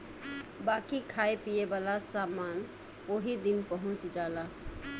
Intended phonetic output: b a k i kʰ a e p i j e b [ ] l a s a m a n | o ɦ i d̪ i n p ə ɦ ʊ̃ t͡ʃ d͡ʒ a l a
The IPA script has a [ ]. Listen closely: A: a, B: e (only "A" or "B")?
A